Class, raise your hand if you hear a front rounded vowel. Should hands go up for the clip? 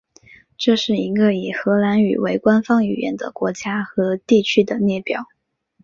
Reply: yes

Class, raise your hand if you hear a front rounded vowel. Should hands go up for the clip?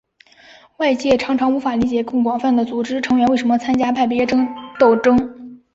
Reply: no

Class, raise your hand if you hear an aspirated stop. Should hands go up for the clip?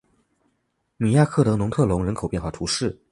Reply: yes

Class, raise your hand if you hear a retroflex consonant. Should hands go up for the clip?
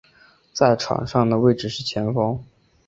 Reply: yes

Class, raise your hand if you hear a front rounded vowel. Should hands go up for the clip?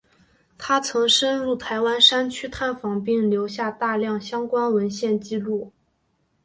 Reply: yes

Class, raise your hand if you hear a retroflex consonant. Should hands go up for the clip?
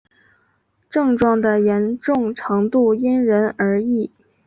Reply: yes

